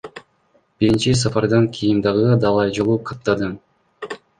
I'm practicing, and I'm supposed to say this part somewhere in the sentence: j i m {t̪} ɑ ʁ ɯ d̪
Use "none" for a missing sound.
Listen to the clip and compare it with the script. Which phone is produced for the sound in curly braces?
d̪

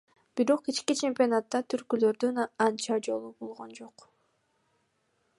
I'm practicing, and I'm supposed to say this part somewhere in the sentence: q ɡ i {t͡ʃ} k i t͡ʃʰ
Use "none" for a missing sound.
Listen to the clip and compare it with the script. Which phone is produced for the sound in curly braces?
t͡ʃ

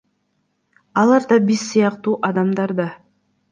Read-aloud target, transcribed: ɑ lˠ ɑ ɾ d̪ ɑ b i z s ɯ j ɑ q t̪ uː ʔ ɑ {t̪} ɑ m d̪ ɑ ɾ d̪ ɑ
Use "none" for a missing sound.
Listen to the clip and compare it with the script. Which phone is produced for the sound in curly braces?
d̪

